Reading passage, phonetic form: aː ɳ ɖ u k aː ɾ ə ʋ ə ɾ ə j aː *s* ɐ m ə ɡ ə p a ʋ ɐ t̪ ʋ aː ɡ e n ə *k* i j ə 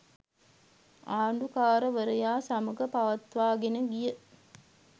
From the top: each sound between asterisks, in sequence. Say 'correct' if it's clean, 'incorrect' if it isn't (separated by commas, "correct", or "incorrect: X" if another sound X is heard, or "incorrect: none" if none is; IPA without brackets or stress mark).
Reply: correct, incorrect: ɡ